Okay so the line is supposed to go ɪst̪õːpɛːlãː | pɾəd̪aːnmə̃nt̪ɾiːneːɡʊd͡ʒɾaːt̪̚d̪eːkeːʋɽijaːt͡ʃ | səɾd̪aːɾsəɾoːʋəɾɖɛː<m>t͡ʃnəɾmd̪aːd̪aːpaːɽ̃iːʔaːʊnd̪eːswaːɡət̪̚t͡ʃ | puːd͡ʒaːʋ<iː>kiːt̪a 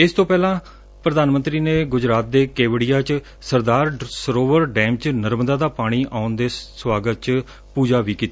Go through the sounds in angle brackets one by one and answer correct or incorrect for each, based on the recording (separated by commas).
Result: correct, correct